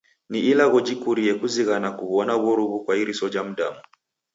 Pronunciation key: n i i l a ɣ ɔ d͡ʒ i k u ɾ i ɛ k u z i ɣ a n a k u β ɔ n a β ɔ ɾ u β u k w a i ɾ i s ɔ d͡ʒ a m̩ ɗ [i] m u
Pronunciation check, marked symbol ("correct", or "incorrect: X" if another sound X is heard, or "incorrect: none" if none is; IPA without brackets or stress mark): incorrect: a